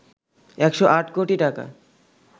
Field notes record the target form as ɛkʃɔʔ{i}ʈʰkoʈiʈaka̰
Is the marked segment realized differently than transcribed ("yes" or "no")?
yes